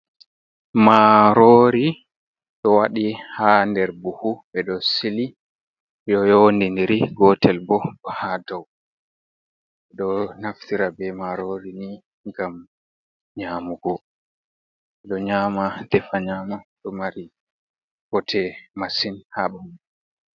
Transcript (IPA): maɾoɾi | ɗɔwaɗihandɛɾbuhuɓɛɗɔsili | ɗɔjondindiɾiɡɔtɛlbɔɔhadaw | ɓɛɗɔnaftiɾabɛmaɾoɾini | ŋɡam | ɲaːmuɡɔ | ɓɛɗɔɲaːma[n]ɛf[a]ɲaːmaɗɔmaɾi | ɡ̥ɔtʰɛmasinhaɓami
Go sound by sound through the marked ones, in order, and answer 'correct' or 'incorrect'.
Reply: incorrect, correct

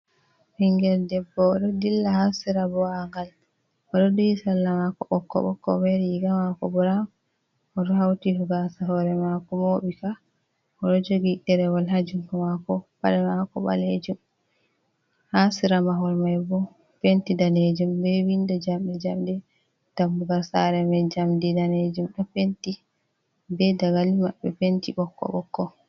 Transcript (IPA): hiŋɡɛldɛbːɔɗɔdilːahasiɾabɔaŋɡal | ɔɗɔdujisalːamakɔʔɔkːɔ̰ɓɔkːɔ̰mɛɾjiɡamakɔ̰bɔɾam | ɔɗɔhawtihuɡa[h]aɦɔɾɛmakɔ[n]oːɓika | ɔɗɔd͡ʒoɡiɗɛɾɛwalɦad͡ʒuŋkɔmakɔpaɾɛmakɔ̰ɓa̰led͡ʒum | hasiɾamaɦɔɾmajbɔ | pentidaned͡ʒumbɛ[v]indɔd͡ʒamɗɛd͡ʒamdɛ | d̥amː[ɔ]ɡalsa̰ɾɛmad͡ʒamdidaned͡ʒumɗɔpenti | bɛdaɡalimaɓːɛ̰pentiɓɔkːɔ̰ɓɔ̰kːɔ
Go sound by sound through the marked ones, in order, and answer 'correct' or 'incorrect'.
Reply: incorrect, incorrect, incorrect, incorrect

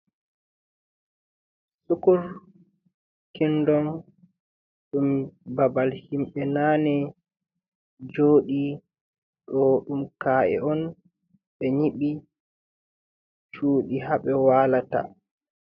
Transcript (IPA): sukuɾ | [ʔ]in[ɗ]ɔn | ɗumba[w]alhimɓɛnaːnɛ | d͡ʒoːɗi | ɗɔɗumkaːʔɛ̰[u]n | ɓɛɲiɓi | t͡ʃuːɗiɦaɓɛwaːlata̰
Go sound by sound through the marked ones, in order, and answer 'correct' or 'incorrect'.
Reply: incorrect, incorrect, incorrect, incorrect

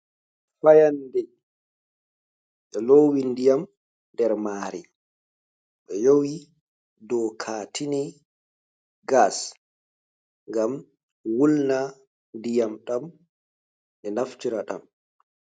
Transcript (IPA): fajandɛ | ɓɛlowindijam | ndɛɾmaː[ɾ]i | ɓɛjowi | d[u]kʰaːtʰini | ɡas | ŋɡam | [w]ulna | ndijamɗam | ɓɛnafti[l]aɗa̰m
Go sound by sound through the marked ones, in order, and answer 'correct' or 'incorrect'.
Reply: correct, incorrect, correct, incorrect

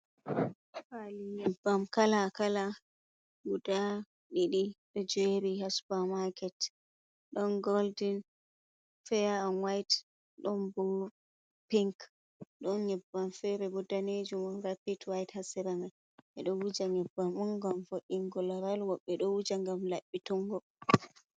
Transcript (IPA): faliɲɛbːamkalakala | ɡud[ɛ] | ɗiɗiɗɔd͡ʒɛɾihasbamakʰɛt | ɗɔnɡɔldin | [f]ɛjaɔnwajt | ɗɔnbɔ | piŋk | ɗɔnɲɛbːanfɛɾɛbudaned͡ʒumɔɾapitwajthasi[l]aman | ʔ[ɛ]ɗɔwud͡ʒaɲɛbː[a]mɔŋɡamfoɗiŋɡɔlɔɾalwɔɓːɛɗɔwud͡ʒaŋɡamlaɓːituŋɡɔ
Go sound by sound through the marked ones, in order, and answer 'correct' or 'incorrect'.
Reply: incorrect, correct, incorrect, correct, correct

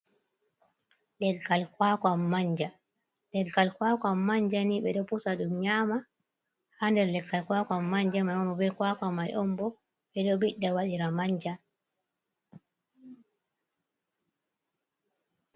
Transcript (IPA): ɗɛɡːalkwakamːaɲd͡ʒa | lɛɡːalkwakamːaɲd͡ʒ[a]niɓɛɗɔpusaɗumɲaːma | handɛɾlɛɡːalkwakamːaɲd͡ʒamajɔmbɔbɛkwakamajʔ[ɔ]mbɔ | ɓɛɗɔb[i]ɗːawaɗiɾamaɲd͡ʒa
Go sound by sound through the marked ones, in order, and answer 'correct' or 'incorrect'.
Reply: correct, correct, correct

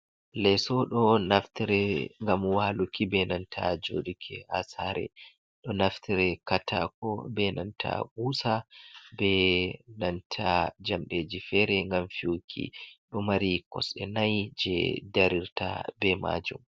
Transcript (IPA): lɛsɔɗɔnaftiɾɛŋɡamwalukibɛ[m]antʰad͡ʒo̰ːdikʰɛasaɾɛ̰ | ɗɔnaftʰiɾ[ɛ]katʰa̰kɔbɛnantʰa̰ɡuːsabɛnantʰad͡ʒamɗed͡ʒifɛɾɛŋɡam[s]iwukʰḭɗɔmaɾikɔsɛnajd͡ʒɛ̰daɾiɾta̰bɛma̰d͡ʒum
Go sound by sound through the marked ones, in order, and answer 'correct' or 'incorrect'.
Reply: incorrect, correct, incorrect

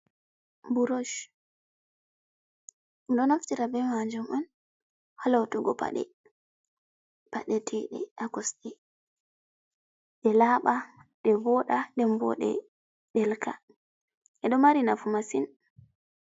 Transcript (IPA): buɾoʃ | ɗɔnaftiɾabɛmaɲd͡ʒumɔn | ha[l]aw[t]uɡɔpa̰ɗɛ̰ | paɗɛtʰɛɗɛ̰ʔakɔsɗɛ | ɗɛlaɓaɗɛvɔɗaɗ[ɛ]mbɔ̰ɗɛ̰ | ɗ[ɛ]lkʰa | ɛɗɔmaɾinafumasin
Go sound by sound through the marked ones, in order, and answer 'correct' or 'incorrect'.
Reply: correct, correct, correct, correct

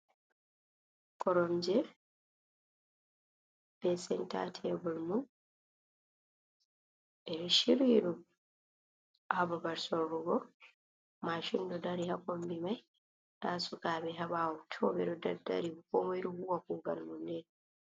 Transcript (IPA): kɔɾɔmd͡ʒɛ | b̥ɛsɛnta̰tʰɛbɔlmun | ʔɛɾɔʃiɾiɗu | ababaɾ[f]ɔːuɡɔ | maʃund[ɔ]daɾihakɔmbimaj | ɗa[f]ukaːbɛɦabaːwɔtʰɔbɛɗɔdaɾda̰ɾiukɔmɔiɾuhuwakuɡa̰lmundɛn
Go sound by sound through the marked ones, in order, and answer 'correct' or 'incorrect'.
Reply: incorrect, correct, incorrect

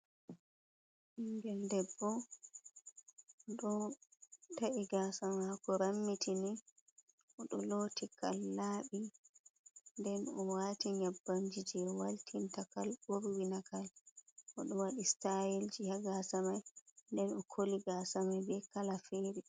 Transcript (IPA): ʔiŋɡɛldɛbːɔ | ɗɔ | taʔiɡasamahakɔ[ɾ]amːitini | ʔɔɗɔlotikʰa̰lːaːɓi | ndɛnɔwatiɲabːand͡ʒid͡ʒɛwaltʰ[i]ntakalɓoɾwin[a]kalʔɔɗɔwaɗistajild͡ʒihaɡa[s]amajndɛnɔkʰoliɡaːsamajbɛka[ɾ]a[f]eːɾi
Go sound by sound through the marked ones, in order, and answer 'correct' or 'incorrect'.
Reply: correct, correct, correct, correct, incorrect, correct

